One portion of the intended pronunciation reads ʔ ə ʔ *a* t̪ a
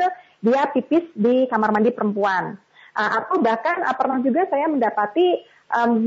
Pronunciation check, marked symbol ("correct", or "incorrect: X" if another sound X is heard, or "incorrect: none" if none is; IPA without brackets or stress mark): correct